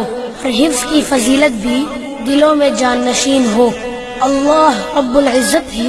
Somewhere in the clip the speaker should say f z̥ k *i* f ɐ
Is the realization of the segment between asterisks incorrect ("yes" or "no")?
no